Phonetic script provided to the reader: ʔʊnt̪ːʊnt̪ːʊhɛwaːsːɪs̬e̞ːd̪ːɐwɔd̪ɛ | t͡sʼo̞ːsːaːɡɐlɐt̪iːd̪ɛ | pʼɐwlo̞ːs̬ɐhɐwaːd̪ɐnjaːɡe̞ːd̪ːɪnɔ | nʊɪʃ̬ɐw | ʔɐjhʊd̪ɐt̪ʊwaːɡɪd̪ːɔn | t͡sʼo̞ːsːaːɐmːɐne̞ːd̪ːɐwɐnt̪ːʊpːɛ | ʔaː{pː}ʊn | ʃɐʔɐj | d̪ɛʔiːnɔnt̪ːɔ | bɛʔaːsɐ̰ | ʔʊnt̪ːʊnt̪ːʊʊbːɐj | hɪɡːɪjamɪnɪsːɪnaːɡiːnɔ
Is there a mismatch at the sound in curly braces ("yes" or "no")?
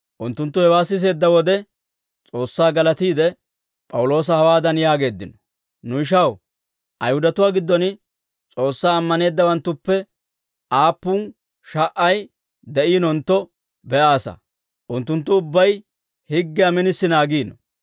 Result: no